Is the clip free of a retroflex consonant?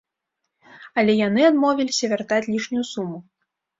no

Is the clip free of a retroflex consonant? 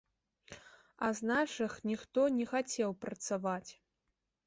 no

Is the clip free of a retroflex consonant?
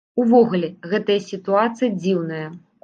yes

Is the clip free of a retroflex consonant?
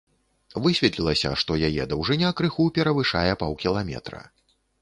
no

